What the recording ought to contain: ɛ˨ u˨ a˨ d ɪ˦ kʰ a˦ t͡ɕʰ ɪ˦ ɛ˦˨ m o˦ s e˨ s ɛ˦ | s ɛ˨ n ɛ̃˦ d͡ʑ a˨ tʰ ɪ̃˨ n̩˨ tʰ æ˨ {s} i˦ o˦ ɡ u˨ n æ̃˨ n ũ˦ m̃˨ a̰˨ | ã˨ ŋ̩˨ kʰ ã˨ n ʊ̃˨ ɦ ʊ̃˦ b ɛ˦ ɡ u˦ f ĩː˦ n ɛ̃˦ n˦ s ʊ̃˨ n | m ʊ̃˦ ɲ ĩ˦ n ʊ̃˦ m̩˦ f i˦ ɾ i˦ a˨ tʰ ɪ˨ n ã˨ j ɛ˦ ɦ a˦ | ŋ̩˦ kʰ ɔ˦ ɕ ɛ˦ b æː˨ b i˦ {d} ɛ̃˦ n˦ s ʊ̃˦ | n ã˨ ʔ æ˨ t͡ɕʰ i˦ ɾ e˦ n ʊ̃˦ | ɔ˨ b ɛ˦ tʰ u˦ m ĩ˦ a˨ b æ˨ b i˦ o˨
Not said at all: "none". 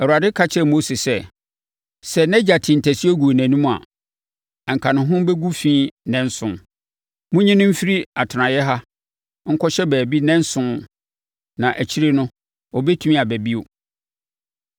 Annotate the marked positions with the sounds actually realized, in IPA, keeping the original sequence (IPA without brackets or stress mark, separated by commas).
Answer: s, n